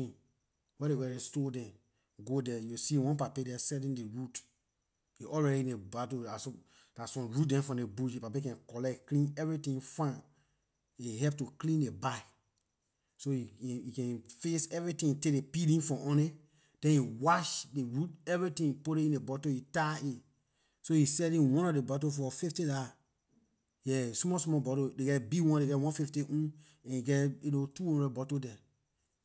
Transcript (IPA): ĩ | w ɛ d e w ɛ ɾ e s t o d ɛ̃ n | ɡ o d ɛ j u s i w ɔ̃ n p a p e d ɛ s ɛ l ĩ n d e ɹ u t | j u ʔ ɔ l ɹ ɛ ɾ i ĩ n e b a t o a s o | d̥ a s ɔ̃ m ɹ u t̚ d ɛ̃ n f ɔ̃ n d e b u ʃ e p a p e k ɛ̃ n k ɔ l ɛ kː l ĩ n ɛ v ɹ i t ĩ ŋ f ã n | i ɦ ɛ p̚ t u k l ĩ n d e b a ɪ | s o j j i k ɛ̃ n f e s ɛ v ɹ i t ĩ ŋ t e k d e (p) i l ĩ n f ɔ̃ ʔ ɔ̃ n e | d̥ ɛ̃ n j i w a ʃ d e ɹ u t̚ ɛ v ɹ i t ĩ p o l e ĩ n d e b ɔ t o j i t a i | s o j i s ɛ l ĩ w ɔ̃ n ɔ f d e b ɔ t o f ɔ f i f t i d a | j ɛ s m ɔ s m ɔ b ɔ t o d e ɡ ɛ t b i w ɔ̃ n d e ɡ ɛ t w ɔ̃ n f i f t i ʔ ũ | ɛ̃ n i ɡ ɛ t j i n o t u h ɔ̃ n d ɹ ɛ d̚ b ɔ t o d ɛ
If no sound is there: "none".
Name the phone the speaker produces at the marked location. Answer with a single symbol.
p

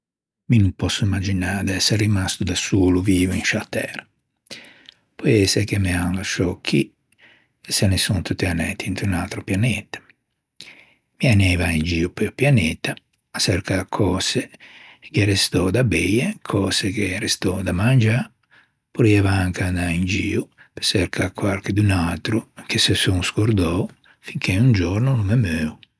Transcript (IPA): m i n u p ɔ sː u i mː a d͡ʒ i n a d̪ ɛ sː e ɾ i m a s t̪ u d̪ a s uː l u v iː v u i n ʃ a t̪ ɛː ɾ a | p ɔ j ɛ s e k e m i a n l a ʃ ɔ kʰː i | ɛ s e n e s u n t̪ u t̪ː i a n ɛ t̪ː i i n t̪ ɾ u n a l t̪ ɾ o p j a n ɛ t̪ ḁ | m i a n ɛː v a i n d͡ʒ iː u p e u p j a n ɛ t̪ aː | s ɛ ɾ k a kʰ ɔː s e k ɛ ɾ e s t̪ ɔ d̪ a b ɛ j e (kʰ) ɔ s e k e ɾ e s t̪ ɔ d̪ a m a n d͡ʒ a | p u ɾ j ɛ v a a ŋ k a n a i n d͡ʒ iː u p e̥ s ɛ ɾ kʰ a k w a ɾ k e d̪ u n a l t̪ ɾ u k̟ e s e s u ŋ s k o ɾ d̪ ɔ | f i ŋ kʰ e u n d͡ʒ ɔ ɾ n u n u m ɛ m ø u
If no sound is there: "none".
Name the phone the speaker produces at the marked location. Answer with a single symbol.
kʰ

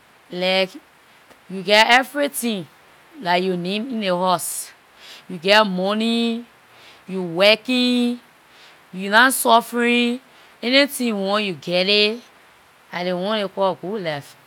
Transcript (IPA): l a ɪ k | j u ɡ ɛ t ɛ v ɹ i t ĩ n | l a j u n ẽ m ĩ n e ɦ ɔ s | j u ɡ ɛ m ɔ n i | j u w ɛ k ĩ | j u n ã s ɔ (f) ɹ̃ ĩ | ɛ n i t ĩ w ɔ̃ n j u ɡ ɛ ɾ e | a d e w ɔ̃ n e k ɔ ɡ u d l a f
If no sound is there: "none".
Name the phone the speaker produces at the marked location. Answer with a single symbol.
f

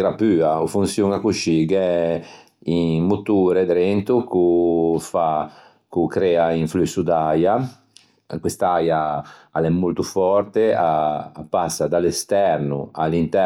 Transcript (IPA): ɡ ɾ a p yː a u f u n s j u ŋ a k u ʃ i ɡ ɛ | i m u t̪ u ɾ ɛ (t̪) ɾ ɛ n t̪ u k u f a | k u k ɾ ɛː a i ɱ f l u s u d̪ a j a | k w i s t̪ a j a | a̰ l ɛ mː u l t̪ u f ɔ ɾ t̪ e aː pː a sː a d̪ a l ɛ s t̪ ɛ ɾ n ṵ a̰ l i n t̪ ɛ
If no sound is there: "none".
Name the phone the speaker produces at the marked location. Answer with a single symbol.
d̪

